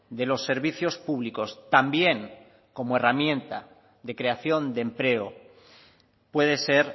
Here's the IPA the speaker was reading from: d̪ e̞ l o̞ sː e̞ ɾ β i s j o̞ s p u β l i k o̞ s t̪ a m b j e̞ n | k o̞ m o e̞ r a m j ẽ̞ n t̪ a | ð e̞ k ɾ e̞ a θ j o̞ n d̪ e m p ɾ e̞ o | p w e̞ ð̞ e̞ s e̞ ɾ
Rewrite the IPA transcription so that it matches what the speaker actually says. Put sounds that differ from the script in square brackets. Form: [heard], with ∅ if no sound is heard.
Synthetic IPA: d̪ e̞ l o̞ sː e̞ ɾ β i [θ] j o̞ s p u β l i k o̞ s t̪ a m b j e̞ [ŋ] | k o̞ m o e̞ r a m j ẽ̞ n t̪ a | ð e̞ k ɾ e̞ a θ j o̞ n d̪ e m p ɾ e̞ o | p w e̞ ð̞ e̞ s e̞ ɾ